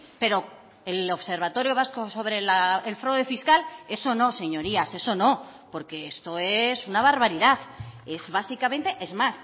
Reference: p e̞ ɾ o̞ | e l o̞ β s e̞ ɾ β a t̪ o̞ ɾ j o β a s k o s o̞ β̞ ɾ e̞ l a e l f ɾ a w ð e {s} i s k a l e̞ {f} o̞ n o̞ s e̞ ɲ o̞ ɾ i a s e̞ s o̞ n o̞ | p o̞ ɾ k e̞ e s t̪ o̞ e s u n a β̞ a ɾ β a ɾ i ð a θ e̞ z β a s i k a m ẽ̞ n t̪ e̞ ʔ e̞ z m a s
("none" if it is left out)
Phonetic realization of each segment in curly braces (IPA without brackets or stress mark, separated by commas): f, s